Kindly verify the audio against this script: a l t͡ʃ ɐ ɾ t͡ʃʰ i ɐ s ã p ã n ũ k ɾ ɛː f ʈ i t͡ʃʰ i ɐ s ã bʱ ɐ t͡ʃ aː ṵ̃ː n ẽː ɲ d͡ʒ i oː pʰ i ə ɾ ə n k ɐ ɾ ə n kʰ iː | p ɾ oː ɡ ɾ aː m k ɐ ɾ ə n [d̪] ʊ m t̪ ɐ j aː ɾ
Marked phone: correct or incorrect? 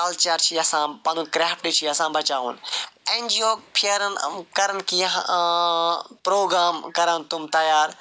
incorrect